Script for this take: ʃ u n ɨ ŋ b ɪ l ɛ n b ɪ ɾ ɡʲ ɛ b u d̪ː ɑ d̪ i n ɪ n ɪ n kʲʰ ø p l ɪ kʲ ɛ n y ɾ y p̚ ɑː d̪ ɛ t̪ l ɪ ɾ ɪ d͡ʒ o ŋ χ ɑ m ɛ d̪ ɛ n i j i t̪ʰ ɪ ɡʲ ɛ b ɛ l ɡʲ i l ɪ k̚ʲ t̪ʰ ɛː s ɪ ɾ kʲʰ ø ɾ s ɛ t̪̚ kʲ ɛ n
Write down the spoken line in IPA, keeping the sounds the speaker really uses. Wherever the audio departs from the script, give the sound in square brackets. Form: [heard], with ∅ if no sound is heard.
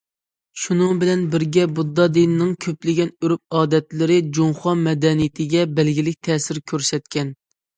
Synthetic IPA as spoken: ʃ u n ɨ ŋ b ɪ l ɛ n b ɪ ɾ ɡʲ ɛ b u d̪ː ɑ d̪ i n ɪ n ɪ [ŋ] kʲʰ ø p l ɪ [ɡʲ] ɛ n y ɾ y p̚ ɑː d̪ ɛ t̪ l ɪ ɾ ɪ d͡ʒ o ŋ χ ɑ m ɛ d̪ ɛ n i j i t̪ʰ ɪ ɡʲ ɛ b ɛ l ɡʲ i l ɪ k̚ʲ t̪ʰ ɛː s ɪ ɾ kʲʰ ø ɾ s ɛ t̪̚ kʲ ɛ n